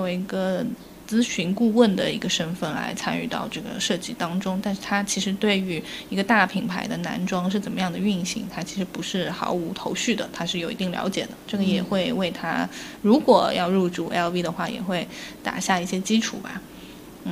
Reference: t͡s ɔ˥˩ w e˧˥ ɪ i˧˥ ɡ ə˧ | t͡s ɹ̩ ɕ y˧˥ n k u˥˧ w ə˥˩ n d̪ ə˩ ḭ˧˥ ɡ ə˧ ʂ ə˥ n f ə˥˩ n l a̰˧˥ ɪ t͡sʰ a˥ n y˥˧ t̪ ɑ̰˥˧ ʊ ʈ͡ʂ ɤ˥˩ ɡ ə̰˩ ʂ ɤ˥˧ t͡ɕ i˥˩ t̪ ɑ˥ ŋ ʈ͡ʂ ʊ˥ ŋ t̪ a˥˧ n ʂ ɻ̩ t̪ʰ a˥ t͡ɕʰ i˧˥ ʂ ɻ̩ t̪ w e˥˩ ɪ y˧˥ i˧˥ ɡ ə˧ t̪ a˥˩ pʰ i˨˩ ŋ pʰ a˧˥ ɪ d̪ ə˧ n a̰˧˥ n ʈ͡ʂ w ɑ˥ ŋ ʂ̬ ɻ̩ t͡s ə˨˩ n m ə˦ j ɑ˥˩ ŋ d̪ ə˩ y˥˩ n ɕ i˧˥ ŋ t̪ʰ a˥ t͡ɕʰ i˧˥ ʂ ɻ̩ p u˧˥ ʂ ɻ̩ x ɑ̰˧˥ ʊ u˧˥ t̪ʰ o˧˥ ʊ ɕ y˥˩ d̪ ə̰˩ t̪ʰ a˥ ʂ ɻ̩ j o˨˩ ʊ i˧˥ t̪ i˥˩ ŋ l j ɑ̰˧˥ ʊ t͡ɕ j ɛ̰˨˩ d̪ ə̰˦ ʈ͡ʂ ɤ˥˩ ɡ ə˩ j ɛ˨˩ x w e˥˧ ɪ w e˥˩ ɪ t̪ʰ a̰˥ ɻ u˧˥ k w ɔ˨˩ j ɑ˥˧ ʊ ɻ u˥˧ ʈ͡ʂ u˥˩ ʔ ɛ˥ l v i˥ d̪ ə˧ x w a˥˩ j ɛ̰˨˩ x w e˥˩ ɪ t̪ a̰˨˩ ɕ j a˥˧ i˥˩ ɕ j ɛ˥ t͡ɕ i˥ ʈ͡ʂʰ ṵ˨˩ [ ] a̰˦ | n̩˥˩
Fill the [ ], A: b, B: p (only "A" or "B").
A